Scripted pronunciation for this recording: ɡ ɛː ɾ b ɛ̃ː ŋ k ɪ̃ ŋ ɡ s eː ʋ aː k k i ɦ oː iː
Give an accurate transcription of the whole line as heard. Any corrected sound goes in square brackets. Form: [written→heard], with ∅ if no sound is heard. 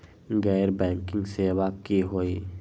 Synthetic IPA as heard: ɡ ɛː ɾ b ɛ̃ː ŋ k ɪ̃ ŋ ɡ s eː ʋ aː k k i ɦ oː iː